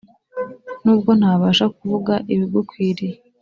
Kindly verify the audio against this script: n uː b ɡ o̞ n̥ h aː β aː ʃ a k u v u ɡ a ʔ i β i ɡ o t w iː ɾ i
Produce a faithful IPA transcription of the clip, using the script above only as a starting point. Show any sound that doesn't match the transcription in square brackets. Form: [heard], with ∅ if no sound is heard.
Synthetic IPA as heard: n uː b ɡ o̞ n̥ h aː β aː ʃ a k u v u ɡ a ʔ i β i ɡ o [k] w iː ɾ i